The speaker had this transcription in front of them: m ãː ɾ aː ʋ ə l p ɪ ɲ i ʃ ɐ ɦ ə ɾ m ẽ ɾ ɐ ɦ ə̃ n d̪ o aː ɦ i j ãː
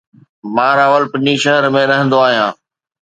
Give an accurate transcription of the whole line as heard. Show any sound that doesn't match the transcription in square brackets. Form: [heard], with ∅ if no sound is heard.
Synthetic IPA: m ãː ɾ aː ʋ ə l p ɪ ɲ i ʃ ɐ ɦ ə ɾ m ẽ ɾ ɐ ɦ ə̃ n d̪ o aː ɦ i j ãː

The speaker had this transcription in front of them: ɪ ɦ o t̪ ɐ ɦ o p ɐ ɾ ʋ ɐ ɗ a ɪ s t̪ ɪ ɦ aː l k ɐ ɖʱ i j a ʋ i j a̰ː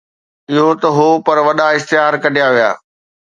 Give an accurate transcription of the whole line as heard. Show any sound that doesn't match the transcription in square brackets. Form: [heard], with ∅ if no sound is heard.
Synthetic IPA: ɪ ɦ o t̪ ɐ ɦ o p ɐ ɾ ʋ ɐ ɗ a ɪ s t̪ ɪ ɦ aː [ɾ] k ɐ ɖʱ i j a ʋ i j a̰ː

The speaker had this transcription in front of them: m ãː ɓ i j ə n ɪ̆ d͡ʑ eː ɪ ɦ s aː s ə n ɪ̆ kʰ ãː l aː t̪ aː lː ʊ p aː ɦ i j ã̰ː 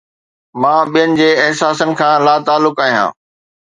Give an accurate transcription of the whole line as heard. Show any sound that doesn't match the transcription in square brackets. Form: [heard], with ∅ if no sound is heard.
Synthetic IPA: m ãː ɓ i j ə n ɪ̆ d͡ʑ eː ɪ ɦ s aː s ə n ɪ̆ kʰ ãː l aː t̪ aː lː ʊ [k] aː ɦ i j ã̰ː

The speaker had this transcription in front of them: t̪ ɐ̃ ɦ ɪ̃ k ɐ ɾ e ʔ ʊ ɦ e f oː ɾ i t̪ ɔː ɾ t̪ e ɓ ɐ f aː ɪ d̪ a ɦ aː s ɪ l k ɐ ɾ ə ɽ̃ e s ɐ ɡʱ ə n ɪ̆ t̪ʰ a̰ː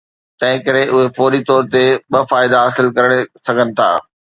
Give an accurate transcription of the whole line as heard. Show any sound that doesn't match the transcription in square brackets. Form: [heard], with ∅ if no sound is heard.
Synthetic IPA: t̪ ɐ̃ ɦ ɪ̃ k ɐ ɾ e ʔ ʊ ɦ e f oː ɾ i t̪ ɔː ɾ t̪ e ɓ ɐ f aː ɪ d̪ a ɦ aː s ɪ l k ɐ ɾ ə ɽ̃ e s ɐ ɡʱ ə n ɪ̆ t̪ʰ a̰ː

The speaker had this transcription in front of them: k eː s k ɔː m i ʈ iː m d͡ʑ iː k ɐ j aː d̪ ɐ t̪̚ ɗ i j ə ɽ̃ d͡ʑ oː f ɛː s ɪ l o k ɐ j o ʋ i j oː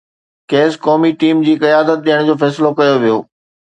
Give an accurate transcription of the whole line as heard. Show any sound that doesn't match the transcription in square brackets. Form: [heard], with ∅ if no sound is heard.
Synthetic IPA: k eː s k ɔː m i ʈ iː m d͡ʑ iː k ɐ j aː d̪ [ə] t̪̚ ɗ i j ə ɽ̃ d͡ʑ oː f ɛː s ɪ l o k ɐ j o ʋ i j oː

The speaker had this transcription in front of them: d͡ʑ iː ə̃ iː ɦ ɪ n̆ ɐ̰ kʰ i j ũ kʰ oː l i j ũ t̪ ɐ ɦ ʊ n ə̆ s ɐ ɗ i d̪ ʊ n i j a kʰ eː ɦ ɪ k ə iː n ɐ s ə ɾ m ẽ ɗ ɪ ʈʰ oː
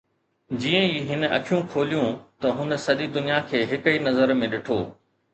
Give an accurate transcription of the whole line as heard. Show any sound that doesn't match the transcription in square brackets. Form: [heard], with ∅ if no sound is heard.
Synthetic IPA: d͡ʑ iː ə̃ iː ɦ ɪ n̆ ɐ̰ kʰ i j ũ kʰ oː l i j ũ t̪ ɐ ɦ ʊ n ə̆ s ɐ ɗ i d̪ ʊ n i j a kʰ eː ɦ ɪ k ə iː n ɐ [z] ə ɾ m ẽ ɗ ɪ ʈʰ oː

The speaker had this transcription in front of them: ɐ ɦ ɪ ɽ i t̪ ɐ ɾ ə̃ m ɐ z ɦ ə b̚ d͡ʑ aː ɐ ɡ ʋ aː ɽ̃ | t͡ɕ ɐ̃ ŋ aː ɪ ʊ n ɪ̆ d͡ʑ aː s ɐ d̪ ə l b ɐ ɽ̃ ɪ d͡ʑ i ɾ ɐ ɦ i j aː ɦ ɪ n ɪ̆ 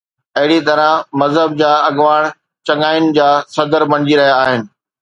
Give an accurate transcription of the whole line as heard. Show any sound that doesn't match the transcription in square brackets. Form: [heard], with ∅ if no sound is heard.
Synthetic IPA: ɐ ɦ ɪ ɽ i t̪ ɐ ɾ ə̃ m ɐ z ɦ ə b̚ d͡ʑ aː ɐ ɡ ʋ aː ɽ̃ | t͡ɕ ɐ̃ ŋ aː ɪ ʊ n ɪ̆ d͡ʑ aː s ɐ d̪ ə [ɾ] b ɐ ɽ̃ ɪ d͡ʑ i ɾ ɐ ɦ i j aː ɦ ɪ n ɪ̆

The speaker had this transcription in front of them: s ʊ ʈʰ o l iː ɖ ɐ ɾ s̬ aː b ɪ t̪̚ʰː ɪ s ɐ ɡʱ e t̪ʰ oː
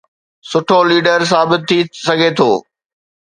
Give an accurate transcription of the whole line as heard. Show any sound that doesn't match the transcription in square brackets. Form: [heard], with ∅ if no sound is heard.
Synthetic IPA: s ʊ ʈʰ o l iː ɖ [ə] ɾ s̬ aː b ɪ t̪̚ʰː [i] s ɐ ɡʱ e t̪ʰ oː

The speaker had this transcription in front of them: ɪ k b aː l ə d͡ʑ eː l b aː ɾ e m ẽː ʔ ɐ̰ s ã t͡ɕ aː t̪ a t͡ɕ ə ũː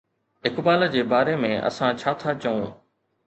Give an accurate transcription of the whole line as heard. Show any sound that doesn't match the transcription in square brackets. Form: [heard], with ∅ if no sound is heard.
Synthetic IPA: ɪ k b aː l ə d͡ʑ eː [∅] b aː ɾ e m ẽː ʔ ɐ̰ s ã [t͡ɕʰ] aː [t̪ʰ] a t͡ɕ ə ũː

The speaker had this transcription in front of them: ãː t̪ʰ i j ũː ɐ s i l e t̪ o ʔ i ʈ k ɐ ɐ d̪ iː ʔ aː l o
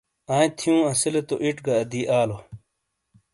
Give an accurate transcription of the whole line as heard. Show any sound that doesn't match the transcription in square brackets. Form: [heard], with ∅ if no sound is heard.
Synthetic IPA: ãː t̪ʰ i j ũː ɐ s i l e t̪ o ʔ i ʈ [ɡ] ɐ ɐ d̪ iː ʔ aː l o

